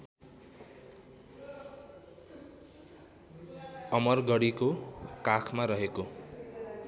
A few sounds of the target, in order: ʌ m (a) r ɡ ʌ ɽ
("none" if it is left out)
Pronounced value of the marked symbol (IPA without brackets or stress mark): ʌ